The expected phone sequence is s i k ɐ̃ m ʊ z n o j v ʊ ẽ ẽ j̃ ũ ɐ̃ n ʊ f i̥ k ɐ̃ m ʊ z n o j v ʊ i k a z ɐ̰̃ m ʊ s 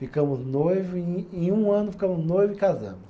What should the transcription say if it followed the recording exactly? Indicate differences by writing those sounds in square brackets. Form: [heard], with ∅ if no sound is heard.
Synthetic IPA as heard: [f] i k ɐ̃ m ʊ z n o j v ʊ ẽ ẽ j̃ ũ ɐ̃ n ʊ f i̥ k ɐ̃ m ʊ z n o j v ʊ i k a z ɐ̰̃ m ʊ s